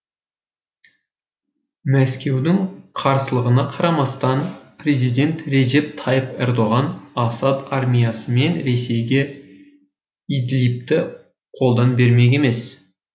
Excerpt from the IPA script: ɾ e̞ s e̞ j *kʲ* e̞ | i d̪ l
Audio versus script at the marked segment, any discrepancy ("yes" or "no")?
yes